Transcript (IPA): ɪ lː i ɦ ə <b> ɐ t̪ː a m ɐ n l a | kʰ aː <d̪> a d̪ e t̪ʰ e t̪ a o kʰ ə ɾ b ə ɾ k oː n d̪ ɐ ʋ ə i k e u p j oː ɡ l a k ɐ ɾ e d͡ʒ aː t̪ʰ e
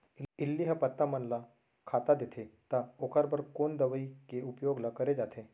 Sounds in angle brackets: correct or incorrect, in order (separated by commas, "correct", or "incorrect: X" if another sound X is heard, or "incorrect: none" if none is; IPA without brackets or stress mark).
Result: incorrect: p, incorrect: t̪